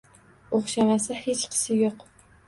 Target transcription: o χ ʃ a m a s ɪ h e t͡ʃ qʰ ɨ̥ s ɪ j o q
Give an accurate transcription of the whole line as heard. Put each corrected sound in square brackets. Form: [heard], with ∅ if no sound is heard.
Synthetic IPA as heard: o χ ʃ a m a s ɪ h e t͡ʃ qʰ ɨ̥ s ɪ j o q